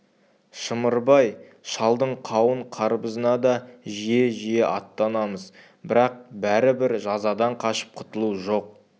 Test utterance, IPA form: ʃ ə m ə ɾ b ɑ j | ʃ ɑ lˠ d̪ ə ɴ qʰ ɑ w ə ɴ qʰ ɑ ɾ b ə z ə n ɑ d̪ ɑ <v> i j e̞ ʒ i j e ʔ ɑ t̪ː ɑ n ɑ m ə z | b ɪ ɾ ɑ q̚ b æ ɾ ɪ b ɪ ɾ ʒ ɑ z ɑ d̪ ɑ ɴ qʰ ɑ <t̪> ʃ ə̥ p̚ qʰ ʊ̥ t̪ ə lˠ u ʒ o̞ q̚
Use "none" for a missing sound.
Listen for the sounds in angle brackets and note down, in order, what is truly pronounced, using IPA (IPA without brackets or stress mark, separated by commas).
ʒ, none